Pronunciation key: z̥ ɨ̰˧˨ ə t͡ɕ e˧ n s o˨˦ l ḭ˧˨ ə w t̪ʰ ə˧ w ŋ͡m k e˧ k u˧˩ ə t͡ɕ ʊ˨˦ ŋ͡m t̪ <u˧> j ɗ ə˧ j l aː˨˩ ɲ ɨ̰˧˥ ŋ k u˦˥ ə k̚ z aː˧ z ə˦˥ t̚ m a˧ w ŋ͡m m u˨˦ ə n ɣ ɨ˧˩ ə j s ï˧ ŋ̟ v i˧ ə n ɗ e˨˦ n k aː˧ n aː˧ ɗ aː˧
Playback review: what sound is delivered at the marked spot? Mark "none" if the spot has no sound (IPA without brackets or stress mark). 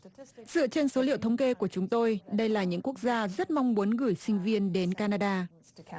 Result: o˧